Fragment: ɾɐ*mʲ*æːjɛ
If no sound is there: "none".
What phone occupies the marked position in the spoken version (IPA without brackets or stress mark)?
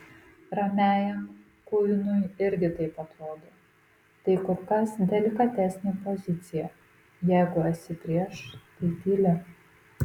mʲ